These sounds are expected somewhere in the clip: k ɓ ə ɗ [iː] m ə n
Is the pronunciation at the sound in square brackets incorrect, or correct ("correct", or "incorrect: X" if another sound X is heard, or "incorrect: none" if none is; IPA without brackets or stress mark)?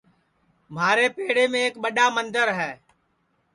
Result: incorrect: aː